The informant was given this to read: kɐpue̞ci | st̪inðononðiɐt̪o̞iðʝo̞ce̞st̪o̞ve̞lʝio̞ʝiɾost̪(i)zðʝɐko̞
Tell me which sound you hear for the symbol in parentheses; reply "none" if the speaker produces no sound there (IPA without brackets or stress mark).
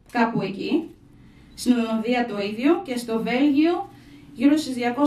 i